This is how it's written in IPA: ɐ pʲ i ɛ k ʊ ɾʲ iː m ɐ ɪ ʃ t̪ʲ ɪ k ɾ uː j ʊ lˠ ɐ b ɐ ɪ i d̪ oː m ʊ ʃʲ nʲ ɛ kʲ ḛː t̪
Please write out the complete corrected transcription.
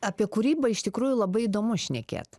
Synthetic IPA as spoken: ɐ pʲ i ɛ k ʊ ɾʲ iː b ɐ ɪ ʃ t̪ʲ ɪ k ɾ uː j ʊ lˠ ɐ b ɐ ɪ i d̪ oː m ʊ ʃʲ nʲ ɛ kʲ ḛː t̪

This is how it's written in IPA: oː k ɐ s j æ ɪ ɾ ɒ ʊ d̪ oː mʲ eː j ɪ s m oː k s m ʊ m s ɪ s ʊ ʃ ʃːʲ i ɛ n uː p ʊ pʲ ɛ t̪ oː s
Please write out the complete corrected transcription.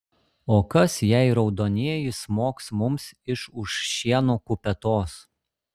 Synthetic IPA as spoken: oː k ɐ s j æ ɪ ɾ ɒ ʊ d̪ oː nʲ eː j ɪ s m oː k s m ʊ m s ɪ ʃ ʊ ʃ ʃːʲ i ɛ n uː k ʊ pʲ ɛ t̪ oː s

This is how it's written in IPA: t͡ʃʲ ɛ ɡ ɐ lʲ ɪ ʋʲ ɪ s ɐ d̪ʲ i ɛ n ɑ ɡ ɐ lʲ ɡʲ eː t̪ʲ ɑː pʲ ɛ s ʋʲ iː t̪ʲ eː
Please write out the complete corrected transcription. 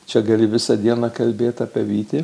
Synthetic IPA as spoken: t͡ʃʲ ɛ ɡ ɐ lʲ ɪ ʋʲ ɪ s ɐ d̪ʲ i ɛ n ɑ k ɐ lʲ bʲ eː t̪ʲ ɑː pʲ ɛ ʋʲ iː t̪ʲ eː

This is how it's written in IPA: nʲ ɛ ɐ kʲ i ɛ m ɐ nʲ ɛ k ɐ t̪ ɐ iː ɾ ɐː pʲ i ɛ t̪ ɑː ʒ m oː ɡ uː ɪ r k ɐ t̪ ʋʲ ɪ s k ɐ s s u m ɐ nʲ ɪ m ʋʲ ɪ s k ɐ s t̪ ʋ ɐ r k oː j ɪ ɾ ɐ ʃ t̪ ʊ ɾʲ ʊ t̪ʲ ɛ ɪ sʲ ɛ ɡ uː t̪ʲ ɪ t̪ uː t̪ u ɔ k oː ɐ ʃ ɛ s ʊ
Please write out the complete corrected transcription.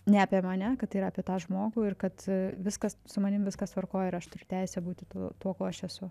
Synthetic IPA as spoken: nʲ ɛ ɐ pʲ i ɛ m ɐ nʲ ɛ k ɐ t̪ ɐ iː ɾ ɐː pʲ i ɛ t̪ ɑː ʒ m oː ɡ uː ɪ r k ɐ t̪ ʋʲ ɪ s k ɐ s s ʊ m ɐ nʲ ɪ m ʋʲ ɪ s k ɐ s t̪ ʋ ɐ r k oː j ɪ ɾ ɐ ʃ t̪ ʊ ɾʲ ʊ t̪ʲ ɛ ɪ sʲ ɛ b uː t̪ʲ ɪ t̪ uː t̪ u ɔ k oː ɐ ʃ ɛ s ʊ

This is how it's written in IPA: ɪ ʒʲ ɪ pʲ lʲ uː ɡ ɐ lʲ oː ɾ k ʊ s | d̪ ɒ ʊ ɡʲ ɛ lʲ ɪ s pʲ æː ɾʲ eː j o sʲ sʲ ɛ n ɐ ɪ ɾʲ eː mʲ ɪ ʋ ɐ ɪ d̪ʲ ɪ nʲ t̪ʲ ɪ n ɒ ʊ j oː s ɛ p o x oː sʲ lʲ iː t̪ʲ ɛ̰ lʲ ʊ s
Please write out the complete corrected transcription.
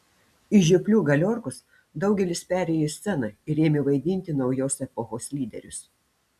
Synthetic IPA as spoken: ɪ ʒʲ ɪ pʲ lʲ uː ɡ ɐ lʲ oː ɾ k ʊ s | d̪ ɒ ʊ ɡʲ ɛ lʲ ɪ s pʲ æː ɾʲ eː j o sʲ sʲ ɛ n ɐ ɪ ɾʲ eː mʲ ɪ ʋ ɐ ɪ d̪ʲ ɪ nʲ t̪ʲ ɪ n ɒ ʊ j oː s ɛ p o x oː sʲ lʲ iː d̪ʲ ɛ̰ ɾʲ ʊ s

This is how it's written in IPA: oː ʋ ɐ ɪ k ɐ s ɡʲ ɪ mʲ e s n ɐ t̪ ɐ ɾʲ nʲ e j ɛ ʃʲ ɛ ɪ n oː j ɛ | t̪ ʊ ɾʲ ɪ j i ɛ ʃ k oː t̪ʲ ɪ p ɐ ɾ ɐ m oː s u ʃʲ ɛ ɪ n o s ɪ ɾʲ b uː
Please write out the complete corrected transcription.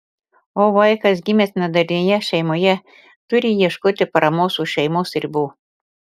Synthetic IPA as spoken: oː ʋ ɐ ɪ k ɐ s ɡʲ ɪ mʲ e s n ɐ d̪ ɐ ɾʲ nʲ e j ɛ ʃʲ ɛ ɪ m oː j ɛ | t̪ ʊ ɾʲ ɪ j i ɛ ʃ k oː t̪ʲ ɪ p ɐ ɾ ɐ m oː s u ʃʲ ɛ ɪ m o s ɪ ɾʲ b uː

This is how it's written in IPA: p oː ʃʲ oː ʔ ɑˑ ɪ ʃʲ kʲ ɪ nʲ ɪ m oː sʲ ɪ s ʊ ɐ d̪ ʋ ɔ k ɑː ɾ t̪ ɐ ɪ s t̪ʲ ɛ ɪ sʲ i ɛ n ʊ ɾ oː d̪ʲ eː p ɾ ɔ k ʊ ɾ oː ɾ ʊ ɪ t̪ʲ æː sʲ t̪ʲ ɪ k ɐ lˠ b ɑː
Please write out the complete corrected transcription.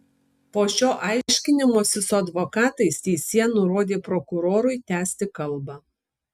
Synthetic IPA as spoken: p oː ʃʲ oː ʔ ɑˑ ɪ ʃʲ kʲ ɪ nʲ ɪ m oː sʲ ɪ s ʊ ɐ d̪ ʋ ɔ k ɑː t̪ ɐ ɪ s t̪ʲ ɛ ɪ sʲ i ɛ n ʊ ɾ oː d̪ʲ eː p ɾ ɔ k ʊ ɾ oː ɾ ʊ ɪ t̪ʲ æː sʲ t̪ʲ ɪ k ɐ lˠ b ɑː

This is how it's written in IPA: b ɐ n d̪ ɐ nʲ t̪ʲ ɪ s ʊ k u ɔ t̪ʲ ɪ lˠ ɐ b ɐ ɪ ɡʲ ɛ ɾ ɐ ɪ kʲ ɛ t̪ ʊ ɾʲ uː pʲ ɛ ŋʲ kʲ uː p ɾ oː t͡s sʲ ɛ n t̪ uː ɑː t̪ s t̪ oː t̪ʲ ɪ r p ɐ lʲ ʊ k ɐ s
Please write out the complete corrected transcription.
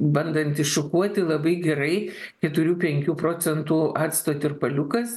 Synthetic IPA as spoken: b ɐ n d̪ ɐ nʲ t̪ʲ ɪ ʃ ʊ k u ɔ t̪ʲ ɪ lˠ ɐ b ɐ ɪ ɡʲ ɛ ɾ ɐ ɪ kʲ ɛ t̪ ʊ ɾʲ uː pʲ ɛ ŋʲ kʲ uː p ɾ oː t͡s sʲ ɛ n t̪ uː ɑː t̪ s t̪ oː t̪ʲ ɪ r p ɐ lʲ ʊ k ɐ s

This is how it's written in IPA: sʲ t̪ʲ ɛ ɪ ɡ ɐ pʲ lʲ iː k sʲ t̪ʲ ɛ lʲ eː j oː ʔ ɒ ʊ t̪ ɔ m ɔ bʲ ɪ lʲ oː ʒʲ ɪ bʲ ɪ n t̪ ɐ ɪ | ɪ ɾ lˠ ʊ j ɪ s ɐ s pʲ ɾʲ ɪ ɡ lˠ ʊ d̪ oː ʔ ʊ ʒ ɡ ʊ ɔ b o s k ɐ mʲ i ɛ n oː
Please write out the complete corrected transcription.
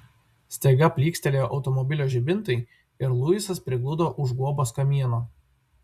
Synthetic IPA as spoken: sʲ t̪ʲ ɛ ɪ ɡ ɐ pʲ lʲ iː k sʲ t̪ʲ ɛ lʲ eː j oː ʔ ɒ ʊ t̪ ɔ m ɔ bʲ ɪ lʲ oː ʒʲ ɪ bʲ ɪ n t̪ ɐ ɪ | ɪ ɾ lˠ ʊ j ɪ s ɐ s pʲ ɾʲ ɪ ɡ lˠ ʊ d̪ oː ʔ ʊ ʒ ɡ u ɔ b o s k ɐ mʲ i ɛ n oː

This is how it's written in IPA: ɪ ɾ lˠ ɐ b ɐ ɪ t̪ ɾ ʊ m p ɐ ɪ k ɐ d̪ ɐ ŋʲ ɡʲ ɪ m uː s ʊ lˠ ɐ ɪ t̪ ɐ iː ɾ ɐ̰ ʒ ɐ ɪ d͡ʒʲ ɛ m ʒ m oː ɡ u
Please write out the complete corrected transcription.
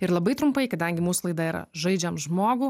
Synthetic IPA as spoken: ɪ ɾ lˠ ɐ b ɐ ɪ t̪ ɾ ʊ m p ɐ ɪ k ɐ d̪ ɐ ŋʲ ɡʲ ɪ m uː s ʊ lˠ ɐ ɪ d̪ ɐ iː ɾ ɐ̰ ʒ ɐ ɪ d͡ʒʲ ɛ m ʒ m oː ɡ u

